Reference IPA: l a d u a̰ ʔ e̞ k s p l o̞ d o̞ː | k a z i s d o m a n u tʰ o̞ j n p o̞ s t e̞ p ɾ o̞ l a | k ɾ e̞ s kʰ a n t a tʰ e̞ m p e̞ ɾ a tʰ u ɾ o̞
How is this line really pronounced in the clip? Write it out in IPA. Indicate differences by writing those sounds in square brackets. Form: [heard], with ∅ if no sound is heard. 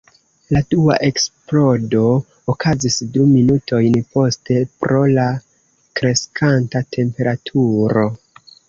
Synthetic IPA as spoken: l a d u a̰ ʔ e̞ k s p l o̞ d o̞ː | k a z i s d [u] m [i] n u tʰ o̞ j n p o̞ s t e̞ p ɾ o̞ l a | k ɾ e̞ s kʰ a n t a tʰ e̞ m p e̞ ɾ a tʰ u ɾ o̞